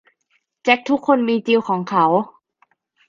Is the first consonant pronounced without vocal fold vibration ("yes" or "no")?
yes